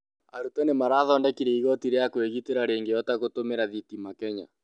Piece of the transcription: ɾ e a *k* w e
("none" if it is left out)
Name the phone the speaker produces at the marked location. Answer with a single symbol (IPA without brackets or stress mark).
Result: k